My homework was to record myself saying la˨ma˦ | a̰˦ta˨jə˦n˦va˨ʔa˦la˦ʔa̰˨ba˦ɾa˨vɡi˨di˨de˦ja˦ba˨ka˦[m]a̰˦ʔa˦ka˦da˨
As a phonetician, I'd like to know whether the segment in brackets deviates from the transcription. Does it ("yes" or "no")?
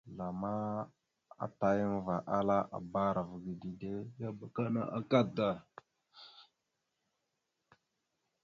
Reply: yes